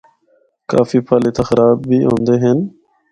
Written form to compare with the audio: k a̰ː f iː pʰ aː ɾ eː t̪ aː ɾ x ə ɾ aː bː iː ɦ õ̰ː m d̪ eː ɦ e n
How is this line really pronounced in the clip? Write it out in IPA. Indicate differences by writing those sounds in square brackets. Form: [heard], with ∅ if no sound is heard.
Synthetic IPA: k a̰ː f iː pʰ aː [l] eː t̪ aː [∅] x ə ɾ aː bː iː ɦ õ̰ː [n] d̪ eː ɦ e n